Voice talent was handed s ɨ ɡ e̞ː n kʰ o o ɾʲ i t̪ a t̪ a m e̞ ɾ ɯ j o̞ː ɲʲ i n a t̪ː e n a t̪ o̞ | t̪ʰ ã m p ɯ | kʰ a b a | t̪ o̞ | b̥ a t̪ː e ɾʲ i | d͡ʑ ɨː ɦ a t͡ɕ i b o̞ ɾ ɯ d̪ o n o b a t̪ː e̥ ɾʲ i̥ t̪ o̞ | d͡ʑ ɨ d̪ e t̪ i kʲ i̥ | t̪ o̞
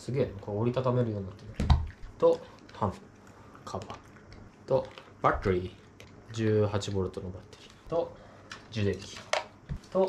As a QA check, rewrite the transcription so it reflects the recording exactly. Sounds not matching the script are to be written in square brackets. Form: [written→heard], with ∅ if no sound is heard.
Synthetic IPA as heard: s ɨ ɡ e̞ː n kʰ o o ɾʲ i t̪ a t̪ a m e̞ ɾ ɯ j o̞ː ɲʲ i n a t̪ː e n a t̪ o̞ | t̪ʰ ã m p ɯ | kʰ a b a | t̪ o̞ | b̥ a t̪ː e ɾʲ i | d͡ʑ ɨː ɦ a t͡ɕ i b o̞ ɾ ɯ [d̪→t̪] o n o b a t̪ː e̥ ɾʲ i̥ t̪ o̞ | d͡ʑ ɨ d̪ e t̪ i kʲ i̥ | t̪ o̞